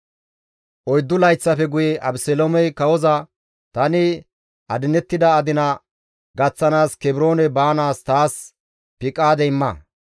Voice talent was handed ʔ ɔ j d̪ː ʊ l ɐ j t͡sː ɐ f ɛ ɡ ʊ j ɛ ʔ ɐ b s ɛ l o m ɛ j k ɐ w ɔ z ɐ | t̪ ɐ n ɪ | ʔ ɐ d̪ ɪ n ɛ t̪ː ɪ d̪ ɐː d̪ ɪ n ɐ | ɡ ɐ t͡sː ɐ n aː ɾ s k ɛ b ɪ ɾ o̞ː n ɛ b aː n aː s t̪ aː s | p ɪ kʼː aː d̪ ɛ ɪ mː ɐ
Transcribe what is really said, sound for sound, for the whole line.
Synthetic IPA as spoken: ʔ ɔ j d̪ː ʊ l ɐ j t͡sː ɐ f ɛ ɡ ʊ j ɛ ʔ ɐ b s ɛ l o m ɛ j k ɐ w ɔ z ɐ | t̪ ɐ n ɪ | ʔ ɐ d̪ ɪ n ɛ t̪ː ɪ d̪ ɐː d̪ ɪ n ɐ | ɡ ɐ t͡sː ɐ n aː s k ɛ b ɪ ɾ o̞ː n ɛ b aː n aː s t̪ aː s | p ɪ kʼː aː d̪ ɛ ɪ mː ɐ